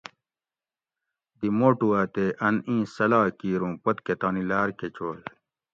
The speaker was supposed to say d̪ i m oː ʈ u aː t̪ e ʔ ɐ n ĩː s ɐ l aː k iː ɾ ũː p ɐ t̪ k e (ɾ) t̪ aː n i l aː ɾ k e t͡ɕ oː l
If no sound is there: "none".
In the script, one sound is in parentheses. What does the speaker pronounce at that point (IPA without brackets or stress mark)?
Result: none